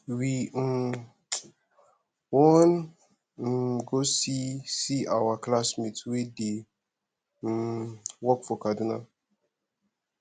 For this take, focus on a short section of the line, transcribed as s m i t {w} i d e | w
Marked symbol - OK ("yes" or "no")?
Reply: yes